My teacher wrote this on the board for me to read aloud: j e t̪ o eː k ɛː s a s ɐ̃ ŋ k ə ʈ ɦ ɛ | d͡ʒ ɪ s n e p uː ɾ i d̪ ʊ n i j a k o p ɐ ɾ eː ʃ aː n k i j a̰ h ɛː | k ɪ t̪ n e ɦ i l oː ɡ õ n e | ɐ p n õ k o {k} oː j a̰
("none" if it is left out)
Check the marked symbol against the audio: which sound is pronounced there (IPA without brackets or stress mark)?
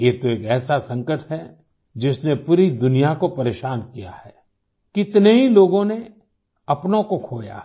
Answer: kʰ